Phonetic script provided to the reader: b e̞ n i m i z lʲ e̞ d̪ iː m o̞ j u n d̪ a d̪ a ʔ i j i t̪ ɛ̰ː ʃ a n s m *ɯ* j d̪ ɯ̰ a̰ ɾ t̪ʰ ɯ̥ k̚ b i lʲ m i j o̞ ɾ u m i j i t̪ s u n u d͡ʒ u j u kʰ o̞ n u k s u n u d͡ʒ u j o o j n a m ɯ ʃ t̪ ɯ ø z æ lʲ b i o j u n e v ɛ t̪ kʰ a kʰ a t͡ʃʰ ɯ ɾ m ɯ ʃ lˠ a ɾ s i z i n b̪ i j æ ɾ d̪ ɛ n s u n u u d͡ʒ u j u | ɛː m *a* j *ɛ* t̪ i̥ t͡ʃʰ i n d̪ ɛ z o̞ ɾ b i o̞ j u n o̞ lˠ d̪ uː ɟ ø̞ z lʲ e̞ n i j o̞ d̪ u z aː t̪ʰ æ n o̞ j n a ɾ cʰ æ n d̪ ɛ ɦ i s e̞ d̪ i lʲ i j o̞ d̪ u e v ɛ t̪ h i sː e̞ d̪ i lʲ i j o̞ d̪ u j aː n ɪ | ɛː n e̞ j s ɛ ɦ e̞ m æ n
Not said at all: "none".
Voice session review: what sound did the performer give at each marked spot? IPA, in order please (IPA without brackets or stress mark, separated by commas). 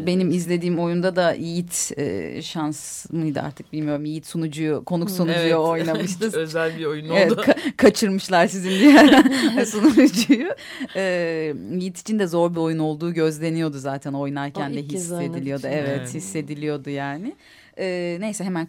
ɯ, i, i